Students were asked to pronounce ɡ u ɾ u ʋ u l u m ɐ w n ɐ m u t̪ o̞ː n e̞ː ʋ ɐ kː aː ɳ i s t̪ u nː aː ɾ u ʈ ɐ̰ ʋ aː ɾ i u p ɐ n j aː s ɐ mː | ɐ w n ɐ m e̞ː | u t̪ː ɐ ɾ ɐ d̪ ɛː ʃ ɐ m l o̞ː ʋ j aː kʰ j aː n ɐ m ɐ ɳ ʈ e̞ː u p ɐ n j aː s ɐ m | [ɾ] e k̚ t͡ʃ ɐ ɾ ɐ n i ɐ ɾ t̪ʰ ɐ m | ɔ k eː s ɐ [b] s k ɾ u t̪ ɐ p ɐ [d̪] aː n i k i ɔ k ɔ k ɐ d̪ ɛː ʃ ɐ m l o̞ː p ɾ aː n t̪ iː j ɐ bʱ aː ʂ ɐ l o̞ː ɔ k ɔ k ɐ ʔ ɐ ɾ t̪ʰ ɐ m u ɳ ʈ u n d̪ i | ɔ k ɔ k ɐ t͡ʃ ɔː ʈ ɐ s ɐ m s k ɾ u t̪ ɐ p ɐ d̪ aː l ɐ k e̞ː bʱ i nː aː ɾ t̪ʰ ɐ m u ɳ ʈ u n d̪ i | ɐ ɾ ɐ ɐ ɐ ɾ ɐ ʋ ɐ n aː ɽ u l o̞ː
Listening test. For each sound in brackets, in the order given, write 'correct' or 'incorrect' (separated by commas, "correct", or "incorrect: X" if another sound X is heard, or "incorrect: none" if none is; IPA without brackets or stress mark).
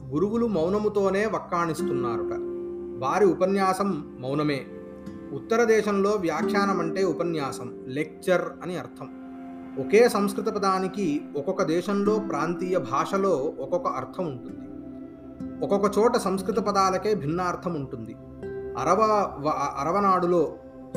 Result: incorrect: l, incorrect: m, correct